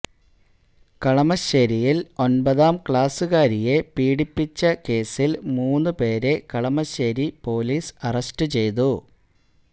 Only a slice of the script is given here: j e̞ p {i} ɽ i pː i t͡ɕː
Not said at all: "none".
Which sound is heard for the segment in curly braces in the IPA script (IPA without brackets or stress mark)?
iː